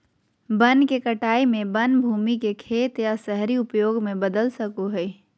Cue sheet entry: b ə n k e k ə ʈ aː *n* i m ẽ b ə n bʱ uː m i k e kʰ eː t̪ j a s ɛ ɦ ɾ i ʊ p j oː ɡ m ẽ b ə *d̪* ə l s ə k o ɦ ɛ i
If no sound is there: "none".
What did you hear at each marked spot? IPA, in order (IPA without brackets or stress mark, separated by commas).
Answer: none, d̪